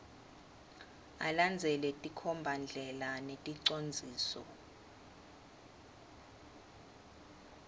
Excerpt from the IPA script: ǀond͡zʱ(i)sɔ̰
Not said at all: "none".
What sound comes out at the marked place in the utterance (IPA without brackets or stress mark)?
iː